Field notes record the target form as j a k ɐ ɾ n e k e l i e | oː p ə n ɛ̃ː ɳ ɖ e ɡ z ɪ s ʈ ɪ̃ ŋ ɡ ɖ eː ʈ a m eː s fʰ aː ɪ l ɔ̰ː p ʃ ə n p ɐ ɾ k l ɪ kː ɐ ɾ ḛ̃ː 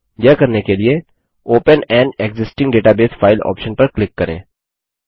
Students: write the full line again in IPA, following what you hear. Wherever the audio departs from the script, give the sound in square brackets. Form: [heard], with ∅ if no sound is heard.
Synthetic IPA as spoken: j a k ɐ ɾ n e k e l i e | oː p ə n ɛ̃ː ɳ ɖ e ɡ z ɪ s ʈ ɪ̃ ŋ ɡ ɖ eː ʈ a [b] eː s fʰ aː ɪ l ɔ̰ː p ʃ ə n p ɐ ɾ k l ɪ kː ɐ ɾ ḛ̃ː